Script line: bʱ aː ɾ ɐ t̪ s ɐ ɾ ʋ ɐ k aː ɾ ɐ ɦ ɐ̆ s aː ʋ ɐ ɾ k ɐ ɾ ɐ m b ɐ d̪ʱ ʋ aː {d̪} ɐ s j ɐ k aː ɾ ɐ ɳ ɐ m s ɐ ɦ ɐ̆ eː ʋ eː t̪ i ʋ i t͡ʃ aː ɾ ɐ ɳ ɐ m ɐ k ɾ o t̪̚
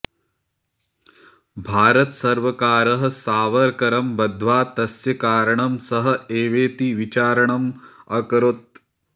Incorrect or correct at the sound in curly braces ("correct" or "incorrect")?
incorrect